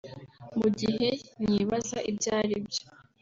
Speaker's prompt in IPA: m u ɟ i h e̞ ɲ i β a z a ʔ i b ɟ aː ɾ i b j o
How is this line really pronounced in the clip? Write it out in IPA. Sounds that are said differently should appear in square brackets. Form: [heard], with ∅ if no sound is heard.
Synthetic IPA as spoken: m u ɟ i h e̞ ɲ i β a z a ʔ i b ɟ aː ɾ i b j o